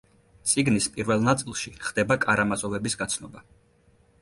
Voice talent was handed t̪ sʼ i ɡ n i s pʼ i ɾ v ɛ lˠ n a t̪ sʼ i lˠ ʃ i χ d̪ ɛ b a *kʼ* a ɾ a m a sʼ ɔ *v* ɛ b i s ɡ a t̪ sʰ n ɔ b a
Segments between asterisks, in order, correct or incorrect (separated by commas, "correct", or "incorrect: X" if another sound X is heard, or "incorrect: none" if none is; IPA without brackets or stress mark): correct, correct